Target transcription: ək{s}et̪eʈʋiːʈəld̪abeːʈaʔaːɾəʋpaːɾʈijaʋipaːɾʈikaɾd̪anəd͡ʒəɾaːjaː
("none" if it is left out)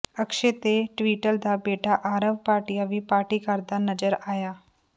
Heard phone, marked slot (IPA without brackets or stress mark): ʃ